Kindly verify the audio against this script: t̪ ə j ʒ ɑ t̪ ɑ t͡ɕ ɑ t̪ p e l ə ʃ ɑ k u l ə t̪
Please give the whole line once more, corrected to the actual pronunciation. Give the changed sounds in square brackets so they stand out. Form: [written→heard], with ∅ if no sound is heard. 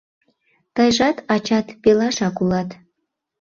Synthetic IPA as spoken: t̪ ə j ʒ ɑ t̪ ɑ t͡ɕ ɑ t̪ p e l [ə→ɑ] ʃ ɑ k u l [ə→ɑ] t̪